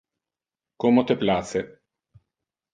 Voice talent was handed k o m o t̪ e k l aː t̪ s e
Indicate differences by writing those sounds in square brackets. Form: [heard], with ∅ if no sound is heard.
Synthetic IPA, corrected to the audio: k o m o t̪ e [p] l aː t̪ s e